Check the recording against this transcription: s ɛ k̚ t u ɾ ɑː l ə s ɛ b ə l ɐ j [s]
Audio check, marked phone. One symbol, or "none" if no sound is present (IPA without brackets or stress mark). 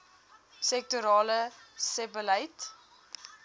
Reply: t